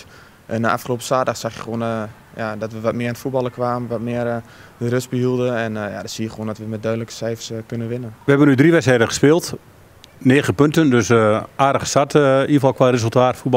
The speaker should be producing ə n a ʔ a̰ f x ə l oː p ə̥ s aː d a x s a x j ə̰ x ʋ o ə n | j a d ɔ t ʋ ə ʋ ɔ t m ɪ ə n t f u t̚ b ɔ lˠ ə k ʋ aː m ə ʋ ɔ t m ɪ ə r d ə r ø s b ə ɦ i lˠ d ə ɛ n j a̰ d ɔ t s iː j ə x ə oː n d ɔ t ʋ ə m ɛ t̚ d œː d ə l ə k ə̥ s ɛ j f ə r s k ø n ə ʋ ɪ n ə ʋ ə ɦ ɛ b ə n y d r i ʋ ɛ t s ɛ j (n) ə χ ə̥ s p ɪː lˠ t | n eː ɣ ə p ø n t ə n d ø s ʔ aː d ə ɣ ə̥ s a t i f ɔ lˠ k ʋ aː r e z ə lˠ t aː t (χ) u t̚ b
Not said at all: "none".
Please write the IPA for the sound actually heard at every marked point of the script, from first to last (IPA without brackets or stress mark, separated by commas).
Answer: d, f